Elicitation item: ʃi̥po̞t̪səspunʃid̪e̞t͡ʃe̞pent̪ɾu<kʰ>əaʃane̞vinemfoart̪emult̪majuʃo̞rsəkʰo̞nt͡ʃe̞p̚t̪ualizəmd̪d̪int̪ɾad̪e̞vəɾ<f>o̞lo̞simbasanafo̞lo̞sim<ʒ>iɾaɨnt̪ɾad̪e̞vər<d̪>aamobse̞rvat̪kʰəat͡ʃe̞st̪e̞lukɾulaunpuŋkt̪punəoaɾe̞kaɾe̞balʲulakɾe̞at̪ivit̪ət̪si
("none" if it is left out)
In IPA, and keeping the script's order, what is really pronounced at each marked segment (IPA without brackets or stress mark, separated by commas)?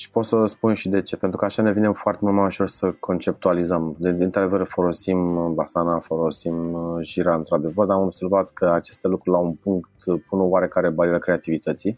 k, f, ʒ, d̪